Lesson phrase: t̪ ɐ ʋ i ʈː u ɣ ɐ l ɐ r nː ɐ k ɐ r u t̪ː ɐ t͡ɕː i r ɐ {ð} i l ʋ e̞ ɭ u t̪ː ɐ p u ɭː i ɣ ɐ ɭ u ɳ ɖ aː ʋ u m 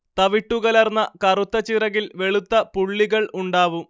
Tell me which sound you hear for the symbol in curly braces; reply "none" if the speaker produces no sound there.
ɣ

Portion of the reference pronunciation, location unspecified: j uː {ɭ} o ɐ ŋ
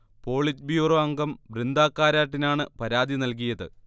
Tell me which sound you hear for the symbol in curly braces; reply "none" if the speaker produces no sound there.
r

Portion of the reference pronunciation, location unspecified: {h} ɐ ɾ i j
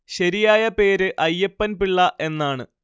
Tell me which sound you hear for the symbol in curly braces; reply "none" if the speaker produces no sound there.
ɕ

